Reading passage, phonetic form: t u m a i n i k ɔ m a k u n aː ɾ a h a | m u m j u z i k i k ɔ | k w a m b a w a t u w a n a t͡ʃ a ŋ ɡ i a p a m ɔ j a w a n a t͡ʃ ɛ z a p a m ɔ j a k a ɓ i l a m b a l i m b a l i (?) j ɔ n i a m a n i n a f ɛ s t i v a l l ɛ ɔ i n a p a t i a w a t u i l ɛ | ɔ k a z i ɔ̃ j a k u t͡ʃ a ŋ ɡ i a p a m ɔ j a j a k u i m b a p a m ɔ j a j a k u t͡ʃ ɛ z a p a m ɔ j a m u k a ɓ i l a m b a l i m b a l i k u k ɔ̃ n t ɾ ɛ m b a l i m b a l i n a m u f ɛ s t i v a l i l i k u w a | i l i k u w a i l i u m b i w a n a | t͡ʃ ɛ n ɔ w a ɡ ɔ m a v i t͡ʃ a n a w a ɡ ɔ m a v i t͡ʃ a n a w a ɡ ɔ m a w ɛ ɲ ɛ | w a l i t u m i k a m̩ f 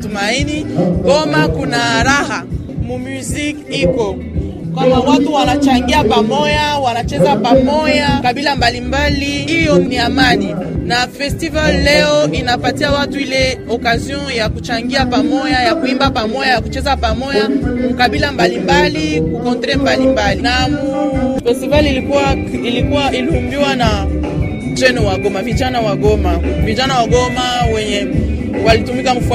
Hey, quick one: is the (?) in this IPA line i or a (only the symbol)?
i